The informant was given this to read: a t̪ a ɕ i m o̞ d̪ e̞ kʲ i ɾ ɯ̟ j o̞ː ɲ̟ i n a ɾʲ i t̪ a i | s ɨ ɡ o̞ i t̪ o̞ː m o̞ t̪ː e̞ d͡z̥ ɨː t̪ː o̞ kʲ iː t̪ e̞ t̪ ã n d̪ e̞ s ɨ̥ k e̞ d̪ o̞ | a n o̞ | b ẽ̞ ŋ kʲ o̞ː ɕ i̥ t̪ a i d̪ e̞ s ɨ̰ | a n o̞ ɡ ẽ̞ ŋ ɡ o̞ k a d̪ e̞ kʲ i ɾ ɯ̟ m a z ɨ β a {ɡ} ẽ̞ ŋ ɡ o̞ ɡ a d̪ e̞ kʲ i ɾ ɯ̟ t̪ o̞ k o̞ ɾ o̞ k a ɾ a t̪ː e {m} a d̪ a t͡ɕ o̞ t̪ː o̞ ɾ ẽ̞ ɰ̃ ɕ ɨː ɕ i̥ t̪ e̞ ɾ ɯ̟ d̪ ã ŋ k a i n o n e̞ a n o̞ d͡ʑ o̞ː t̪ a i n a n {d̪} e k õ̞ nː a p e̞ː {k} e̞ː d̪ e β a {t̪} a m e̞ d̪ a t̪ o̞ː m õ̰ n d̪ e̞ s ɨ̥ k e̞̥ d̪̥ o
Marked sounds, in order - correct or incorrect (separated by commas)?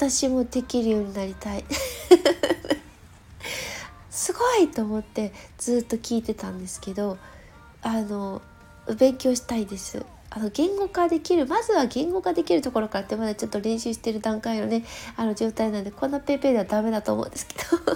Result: correct, correct, correct, incorrect, incorrect